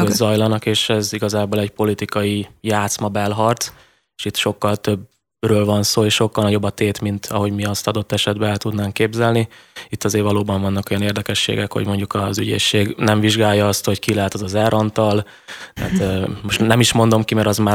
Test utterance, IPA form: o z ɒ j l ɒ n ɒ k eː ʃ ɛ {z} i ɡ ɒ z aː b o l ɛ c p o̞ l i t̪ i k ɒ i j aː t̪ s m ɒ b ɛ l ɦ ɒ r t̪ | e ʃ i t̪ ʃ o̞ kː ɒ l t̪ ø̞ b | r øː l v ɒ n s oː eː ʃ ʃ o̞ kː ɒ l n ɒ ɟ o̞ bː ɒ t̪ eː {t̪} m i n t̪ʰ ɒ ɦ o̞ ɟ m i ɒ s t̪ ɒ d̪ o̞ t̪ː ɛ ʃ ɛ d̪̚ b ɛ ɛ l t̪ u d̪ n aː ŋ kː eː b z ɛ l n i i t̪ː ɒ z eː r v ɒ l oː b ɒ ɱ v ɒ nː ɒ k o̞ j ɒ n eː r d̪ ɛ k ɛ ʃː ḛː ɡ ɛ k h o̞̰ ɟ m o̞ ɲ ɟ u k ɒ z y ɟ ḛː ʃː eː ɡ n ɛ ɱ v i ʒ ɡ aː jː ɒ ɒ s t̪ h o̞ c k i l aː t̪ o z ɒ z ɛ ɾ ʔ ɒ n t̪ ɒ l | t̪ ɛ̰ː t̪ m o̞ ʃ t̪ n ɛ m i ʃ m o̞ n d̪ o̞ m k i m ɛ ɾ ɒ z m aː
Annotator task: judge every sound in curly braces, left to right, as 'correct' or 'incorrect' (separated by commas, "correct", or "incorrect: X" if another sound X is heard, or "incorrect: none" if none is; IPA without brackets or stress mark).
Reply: correct, correct